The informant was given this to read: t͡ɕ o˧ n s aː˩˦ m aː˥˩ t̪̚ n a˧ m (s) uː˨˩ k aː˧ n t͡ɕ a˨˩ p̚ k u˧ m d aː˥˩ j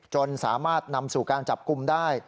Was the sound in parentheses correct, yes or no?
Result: yes